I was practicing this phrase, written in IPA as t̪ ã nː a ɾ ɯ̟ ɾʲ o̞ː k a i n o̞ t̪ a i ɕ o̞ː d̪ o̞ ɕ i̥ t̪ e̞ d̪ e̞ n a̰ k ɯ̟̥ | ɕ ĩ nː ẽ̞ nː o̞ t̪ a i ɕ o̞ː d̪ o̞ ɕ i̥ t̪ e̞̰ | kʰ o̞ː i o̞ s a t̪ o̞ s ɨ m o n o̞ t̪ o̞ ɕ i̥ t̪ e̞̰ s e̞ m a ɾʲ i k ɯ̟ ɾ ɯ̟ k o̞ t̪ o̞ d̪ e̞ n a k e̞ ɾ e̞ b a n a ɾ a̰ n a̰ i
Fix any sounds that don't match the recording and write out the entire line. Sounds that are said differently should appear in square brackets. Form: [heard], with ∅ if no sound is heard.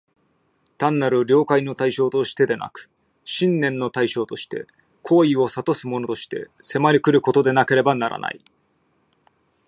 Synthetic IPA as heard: t̪ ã nː a ɾ ɯ̟ ɾʲ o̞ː k a i n o̞ t̪ a i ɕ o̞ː [t̪] o̞ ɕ i̥ t̪ e̞ d̪ e̞ n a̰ k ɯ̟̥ | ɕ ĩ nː ẽ̞ nː o̞ t̪ a i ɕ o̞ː [t̪] o̞ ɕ i̥ t̪ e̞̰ | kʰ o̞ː i o̞ s a t̪ o̞ s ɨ m o n o̞ t̪ o̞ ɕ i̥ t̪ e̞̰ s e̞ m a ɾʲ i k ɯ̟ ɾ ɯ̟ k o̞ t̪ o̞ d̪ e̞ n a k e̞ ɾ e̞ b a n a ɾ a̰ n a̰ i